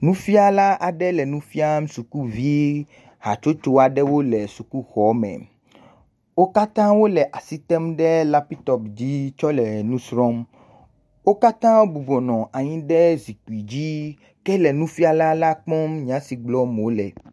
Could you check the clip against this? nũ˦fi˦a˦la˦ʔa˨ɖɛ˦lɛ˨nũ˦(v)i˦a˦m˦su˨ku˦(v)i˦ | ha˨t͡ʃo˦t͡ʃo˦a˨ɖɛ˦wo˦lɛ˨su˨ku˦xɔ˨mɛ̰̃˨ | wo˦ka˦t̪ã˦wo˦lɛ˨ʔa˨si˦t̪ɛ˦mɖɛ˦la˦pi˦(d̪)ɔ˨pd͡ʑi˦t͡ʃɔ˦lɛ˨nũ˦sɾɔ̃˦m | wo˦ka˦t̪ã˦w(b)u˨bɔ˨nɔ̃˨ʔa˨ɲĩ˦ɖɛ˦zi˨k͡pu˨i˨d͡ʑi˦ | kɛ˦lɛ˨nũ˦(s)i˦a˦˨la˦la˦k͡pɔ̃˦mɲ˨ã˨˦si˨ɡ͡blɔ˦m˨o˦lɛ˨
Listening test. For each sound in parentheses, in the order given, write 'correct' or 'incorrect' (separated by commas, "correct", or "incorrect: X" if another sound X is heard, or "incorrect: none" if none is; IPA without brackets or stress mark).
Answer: incorrect: f, correct, incorrect: t̪, correct, incorrect: f